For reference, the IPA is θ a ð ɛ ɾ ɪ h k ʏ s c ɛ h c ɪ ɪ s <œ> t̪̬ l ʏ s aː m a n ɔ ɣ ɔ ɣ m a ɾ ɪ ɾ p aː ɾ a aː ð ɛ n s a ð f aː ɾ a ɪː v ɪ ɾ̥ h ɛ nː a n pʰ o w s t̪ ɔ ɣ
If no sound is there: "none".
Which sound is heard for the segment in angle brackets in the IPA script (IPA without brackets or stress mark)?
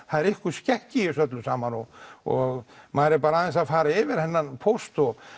œ